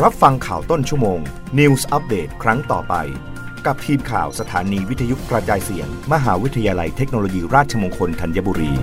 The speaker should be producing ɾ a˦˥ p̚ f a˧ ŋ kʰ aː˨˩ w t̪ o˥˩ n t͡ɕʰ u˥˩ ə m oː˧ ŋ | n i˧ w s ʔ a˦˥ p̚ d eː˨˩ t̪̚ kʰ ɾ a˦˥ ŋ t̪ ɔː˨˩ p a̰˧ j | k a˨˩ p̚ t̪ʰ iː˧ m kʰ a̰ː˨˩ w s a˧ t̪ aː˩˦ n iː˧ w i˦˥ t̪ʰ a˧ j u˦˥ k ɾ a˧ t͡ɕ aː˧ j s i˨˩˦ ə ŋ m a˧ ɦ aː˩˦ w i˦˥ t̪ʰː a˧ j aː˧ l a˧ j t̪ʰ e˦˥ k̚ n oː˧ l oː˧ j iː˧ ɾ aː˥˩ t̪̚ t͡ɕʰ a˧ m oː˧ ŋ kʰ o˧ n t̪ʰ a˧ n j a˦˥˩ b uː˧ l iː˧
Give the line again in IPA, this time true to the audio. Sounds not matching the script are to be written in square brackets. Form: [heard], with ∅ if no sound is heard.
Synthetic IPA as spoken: ɾ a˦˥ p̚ f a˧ ŋ kʰ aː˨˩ w t̪ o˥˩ n t͡ɕʰ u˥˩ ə m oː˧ ŋ | n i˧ w s ʔ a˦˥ p̚ d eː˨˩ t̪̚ kʰ ɾ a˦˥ ŋ t̪ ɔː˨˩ p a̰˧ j | k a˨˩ p̚ t̪ʰ iː˧ m kʰ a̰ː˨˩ w s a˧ [t̪ʰ] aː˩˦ n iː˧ w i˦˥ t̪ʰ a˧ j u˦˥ k ɾ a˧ t͡ɕ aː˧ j s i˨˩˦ ə ŋ m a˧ ɦ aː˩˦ w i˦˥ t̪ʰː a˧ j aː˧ l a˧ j t̪ʰ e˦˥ k̚ n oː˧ l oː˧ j iː˧ ɾ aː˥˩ t̪̚ t͡ɕʰ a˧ m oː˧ ŋ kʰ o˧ n t̪ʰ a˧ n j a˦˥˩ b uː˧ [ɾ] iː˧